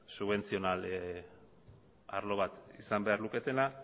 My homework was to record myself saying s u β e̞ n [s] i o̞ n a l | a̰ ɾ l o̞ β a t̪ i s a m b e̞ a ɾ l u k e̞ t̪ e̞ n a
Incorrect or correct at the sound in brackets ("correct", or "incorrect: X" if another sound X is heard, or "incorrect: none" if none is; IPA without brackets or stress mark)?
incorrect: t͡s